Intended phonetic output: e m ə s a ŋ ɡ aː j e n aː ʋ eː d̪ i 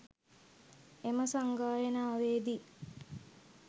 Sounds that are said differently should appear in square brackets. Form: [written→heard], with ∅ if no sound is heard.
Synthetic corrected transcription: e m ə s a ŋ ɡ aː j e n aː ʋ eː d̪ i